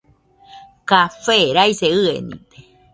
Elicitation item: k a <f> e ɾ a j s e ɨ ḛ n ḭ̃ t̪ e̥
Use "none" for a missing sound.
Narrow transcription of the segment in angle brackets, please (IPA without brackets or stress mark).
f